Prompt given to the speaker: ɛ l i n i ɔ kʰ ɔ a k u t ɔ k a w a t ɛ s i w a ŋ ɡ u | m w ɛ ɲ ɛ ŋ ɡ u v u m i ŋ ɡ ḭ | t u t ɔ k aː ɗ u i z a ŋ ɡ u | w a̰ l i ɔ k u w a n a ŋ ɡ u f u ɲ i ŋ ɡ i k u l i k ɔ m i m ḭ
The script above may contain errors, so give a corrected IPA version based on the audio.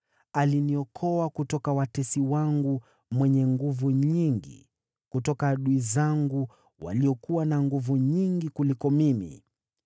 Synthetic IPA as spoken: a l i n i ɔ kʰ ɔ a k u t ɔ k a w a t ɛ s i w a ŋ ɡ u | m w ɛ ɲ ɛ ŋ ɡ u v u ɲ i ŋ ɡ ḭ | k u t ɔ k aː ɗ u i z a ŋ ɡ u | w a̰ l i ɔ k u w a n a ŋ ɡ u v u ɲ i ŋ ɡ i k u l i k ɔ m i m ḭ

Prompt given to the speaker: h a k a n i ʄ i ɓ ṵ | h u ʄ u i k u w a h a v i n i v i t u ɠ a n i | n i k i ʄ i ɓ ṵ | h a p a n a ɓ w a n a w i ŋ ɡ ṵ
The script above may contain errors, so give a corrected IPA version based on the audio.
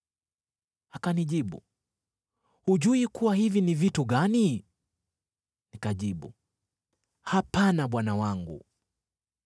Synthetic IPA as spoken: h a k a n i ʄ i ɓ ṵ | h u ʄ u i k u w a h i v i n i v i t u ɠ a n i | n i k a ʄ i ɓ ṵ | h a p a n a ɓ w a n a w a ŋ ɡ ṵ

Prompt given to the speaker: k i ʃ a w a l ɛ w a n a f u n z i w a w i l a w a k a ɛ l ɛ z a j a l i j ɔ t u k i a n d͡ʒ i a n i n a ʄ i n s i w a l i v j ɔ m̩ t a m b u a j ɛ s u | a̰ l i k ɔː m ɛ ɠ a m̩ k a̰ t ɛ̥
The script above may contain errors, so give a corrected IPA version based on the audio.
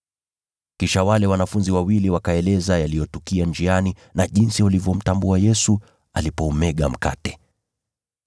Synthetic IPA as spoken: k i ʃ a w a l ɛ w a n a f u n z i w a w i l i w a k a ɛ l ɛ z a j a l i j ɔ t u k i a n d͡ʒ i a n i n a ʄ i n s i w a l i v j ɔ m̩ t a m b u a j ɛ s u | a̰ l i p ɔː m ɛ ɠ a m̩ k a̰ t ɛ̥

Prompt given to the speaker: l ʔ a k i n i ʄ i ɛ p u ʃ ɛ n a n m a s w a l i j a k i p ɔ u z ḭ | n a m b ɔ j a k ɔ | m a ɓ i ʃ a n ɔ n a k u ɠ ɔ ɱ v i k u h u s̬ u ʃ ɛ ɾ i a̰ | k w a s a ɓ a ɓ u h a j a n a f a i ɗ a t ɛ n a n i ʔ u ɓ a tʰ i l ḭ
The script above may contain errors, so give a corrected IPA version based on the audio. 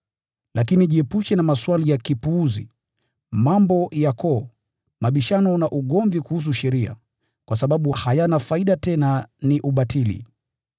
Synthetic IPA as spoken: l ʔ a k i n i ʄ i ɛ p u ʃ ɛ n a m a s w a l i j a k i p u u z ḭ | m a m b ɔ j a k ɔ | m a ɓ i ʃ a n ɔ n a ʔ u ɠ ɔ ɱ v i k u h u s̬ u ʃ ɛ ɾ i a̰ | k w a s a ɓ a ɓ u h a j a n a f a i ɗ a t ɛ n a n i ʔ u ɓ a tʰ i l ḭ

